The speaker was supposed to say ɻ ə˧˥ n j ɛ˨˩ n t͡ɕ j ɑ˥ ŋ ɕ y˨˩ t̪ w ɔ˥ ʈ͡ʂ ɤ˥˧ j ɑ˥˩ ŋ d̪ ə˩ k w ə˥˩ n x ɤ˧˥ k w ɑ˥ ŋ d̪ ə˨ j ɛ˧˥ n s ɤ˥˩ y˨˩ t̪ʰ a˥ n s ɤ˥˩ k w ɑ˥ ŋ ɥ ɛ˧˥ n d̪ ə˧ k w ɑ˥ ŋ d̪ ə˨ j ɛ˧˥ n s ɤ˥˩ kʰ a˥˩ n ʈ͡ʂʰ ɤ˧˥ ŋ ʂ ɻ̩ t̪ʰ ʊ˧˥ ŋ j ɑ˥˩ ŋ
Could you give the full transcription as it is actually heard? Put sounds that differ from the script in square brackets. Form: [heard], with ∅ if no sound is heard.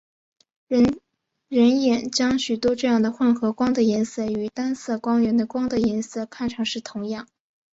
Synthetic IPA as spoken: ɻ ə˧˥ n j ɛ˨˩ n t͡ɕ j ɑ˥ ŋ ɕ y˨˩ t̪ w ɔ˥ ʈ͡ʂ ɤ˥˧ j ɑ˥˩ ŋ d̪ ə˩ [x] w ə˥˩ n x ɤ˧˥ k w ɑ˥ ŋ d̪ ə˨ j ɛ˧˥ n s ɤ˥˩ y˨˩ [t̪] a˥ n s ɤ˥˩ k w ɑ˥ ŋ ɥ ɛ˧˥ n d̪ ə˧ k w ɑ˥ ŋ d̪ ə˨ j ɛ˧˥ n s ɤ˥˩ kʰ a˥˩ n ʈ͡ʂʰ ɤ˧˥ ŋ ʂ ɻ̩ t̪ʰ ʊ˧˥ ŋ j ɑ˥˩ ŋ